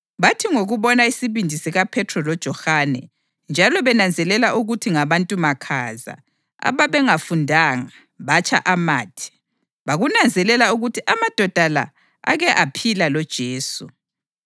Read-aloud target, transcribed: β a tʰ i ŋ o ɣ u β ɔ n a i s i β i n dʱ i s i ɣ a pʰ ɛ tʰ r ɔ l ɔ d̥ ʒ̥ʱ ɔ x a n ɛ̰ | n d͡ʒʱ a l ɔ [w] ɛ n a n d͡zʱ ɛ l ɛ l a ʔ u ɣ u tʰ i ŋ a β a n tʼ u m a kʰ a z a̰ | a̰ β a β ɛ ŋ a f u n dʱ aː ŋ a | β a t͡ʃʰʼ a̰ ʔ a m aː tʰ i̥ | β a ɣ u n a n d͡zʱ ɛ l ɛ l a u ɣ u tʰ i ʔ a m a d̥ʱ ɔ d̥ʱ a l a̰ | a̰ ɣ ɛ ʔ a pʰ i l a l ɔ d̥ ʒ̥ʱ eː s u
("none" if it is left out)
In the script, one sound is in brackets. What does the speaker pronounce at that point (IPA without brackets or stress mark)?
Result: β